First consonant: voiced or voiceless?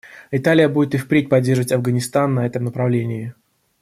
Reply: voiceless